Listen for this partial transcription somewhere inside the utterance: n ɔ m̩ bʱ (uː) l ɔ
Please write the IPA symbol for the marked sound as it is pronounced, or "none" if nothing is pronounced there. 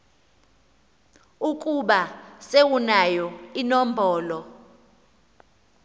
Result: ɔː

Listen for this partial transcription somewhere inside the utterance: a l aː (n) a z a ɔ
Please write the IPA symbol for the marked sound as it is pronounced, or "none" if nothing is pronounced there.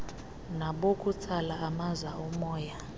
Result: m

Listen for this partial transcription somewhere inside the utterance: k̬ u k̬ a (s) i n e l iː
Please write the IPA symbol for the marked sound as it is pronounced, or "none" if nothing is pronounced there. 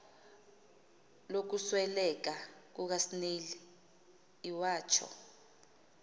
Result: s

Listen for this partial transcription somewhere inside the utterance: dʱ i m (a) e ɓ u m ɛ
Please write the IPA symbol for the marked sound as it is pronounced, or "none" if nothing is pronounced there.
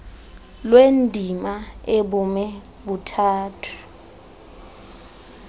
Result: a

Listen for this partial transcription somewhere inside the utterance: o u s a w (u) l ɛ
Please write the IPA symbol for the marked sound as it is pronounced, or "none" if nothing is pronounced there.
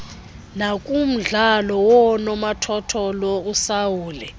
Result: uː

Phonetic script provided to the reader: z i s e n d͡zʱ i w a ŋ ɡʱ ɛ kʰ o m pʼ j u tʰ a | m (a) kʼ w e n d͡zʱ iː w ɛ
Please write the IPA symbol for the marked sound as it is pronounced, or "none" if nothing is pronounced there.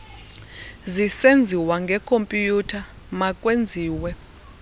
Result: a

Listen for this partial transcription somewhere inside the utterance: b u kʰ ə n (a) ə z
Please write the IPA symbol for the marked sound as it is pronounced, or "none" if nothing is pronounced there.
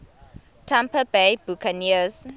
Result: i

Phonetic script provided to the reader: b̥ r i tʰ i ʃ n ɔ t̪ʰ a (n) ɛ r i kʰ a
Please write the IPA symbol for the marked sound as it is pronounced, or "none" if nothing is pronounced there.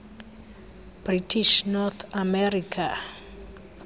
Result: m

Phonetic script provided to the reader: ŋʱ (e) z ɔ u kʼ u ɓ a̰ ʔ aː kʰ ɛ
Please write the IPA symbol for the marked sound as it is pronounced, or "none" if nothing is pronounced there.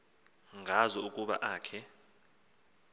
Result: a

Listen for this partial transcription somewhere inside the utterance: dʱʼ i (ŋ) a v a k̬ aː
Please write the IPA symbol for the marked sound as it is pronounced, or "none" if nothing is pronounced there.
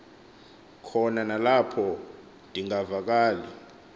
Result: ŋ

